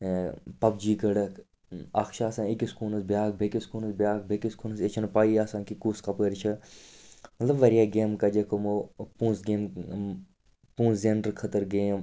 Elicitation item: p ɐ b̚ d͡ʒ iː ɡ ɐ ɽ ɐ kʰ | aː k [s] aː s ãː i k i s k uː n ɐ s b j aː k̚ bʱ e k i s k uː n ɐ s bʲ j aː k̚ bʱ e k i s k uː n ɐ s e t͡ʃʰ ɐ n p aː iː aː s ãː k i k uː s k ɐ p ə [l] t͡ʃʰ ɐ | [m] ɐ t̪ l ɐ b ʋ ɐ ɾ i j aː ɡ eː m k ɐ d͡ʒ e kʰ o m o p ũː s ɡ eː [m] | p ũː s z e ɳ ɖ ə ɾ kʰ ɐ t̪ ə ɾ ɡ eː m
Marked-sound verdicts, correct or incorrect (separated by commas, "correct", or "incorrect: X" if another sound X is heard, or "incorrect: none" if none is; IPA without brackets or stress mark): incorrect: ʃ, incorrect: ɾ, correct, correct